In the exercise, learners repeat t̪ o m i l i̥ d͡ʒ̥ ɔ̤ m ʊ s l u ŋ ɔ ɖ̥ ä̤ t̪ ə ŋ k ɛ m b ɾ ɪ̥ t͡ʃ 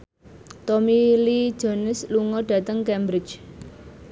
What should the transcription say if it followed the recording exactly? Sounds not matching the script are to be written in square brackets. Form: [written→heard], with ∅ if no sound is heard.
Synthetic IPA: t̪ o m i l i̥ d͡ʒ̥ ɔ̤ [m→n] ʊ s l u ŋ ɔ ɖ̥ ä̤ t̪ ə ŋ k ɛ m b ɾ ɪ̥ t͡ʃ